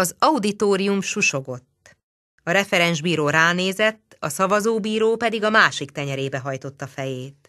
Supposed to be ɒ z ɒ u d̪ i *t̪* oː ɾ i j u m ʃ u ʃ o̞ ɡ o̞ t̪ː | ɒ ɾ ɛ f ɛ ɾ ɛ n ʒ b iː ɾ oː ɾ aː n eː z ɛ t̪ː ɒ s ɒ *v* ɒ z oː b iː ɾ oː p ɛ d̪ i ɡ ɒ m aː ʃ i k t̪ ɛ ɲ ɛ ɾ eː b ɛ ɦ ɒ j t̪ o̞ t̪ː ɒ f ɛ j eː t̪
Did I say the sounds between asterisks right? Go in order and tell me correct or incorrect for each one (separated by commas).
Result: correct, correct